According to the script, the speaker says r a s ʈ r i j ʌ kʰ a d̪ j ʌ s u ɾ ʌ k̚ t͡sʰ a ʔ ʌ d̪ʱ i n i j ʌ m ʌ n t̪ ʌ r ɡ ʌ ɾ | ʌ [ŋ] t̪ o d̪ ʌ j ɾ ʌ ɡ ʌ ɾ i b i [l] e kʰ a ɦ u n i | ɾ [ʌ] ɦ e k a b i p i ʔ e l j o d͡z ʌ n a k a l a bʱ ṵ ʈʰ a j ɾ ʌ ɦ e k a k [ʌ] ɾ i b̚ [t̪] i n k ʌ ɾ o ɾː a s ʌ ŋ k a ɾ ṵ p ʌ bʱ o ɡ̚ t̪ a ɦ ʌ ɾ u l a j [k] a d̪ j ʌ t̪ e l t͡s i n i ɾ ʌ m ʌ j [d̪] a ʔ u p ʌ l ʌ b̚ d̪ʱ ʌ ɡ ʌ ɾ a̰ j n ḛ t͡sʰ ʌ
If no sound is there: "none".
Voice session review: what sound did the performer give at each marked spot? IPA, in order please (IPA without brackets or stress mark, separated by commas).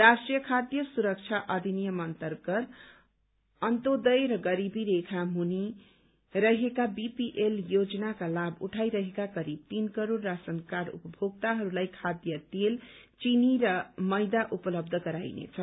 n, ɾ, ʌ, ʌ, t̪, kʰ, d̪